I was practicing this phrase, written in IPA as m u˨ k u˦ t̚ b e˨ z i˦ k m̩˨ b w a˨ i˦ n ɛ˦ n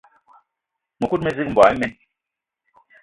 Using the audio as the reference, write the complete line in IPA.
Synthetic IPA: m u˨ k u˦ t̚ m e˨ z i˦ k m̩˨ b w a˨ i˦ m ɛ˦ n